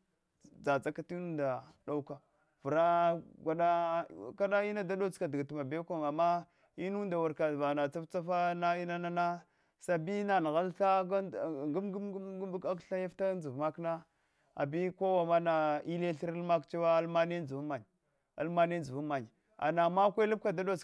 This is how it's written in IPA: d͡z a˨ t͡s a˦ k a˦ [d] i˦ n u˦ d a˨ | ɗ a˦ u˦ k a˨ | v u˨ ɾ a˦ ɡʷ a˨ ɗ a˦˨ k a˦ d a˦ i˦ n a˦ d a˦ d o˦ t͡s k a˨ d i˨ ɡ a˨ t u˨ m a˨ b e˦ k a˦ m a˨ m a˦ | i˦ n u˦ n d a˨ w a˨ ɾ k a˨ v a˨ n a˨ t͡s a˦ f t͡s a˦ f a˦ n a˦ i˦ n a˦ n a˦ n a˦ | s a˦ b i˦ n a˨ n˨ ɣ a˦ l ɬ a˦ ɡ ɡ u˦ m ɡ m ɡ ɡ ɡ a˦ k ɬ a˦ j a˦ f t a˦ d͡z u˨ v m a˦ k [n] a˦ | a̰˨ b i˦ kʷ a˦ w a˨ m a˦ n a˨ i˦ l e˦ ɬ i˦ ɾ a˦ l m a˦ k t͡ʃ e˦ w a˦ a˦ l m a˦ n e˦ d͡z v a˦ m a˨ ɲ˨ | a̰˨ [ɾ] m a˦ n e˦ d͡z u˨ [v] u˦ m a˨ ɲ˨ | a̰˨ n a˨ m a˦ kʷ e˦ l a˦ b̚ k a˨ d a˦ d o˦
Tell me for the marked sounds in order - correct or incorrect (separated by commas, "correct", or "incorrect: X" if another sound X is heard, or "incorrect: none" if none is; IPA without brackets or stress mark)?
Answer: incorrect: t, correct, incorrect: l, correct